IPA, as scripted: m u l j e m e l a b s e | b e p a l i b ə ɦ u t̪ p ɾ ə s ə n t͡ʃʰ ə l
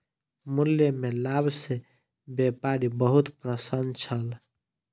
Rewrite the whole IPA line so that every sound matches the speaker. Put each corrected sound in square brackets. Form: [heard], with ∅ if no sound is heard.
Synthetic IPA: m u l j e m e l a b s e | b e p a [ɾ] i b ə ɦ u t̪ p ɾ ə s ə n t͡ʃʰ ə l